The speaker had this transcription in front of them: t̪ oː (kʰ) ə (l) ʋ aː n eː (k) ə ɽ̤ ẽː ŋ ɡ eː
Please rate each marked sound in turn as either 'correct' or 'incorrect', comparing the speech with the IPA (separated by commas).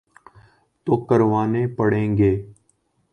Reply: incorrect, incorrect, incorrect